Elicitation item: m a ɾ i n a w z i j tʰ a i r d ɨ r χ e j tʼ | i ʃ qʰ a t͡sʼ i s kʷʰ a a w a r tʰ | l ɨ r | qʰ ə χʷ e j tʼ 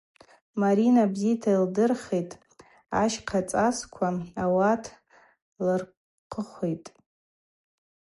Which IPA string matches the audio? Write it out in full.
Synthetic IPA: m a ɾ i n a b z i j tʰ a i l d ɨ r χ e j tʼ | a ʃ qʰ a t͡sʼ a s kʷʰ a a w a tʰ | l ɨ r | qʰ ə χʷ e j tʼ